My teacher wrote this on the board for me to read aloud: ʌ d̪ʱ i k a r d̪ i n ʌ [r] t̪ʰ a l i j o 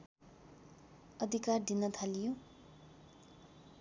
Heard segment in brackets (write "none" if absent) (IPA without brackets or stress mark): none